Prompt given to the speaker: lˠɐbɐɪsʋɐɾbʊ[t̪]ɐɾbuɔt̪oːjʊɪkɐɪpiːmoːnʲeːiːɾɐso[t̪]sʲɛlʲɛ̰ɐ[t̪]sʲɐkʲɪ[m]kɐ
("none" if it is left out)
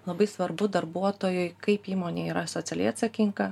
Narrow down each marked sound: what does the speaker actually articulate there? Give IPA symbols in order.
d̪, t̪, t̪, ŋ

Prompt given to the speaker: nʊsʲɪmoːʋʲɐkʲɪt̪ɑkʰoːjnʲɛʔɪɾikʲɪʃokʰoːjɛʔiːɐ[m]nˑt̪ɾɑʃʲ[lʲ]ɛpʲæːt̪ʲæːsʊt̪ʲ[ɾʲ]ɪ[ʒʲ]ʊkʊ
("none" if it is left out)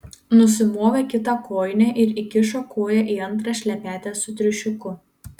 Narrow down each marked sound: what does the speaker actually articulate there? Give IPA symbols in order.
none, lʲ, ɾʲ, ʃʲ

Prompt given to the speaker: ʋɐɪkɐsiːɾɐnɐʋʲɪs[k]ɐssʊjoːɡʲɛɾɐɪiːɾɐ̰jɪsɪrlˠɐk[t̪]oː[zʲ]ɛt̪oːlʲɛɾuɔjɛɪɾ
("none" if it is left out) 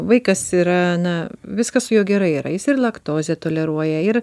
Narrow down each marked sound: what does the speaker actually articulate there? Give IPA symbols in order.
k, t̪, zʲ

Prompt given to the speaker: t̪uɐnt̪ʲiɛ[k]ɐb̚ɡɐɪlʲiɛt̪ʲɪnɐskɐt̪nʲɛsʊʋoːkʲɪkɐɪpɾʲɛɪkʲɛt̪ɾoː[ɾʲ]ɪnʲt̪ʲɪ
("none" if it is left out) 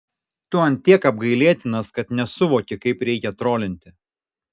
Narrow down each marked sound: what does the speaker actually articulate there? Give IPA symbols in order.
k, lʲ

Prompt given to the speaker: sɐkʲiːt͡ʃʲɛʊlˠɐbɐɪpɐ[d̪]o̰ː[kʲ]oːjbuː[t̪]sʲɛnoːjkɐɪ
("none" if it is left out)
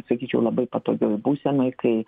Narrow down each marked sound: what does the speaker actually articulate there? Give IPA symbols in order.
t̪, ɡʲ, none

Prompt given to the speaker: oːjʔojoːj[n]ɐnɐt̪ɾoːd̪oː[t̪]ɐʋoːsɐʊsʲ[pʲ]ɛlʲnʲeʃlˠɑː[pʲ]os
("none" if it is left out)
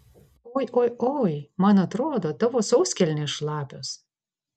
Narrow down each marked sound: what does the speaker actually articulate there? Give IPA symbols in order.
m, t̪, kʲ, pʲ

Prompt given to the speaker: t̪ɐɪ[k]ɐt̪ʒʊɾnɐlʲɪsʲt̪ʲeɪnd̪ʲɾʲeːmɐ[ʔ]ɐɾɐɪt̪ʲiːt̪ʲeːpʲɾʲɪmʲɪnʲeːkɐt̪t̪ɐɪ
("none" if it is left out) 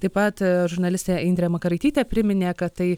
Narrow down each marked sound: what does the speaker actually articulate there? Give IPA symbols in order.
p, k

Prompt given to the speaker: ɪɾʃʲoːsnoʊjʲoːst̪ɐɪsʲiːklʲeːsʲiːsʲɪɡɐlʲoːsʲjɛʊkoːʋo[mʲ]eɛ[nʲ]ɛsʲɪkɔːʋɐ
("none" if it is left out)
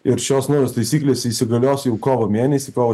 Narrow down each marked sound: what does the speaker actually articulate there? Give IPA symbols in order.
mʲ, nʲ

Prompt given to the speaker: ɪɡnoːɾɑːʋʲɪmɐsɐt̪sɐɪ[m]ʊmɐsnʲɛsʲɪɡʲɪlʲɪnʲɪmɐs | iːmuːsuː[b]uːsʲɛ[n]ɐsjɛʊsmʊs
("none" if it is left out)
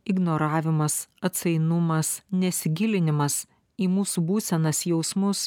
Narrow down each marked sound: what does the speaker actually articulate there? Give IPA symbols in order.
n, b, n

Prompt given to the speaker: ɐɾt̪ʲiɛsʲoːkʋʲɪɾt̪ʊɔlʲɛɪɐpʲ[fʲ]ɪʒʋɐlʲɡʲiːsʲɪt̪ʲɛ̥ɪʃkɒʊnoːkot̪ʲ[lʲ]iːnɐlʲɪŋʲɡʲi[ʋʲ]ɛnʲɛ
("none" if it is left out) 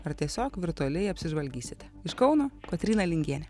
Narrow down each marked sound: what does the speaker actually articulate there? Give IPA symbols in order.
sʲ, ɾʲ, none

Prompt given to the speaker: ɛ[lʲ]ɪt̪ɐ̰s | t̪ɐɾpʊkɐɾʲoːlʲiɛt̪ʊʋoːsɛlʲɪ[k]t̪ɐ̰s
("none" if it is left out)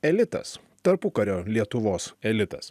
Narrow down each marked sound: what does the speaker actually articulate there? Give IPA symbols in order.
lʲ, none

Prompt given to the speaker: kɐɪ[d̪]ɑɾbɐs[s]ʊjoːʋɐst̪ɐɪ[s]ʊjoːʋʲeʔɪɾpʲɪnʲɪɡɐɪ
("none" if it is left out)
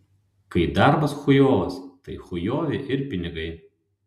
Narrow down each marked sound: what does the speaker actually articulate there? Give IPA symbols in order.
d̪, x, x

